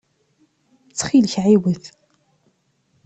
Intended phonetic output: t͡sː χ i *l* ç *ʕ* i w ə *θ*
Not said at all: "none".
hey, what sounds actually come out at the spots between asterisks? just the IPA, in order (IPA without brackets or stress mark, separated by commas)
l, ʕ, θ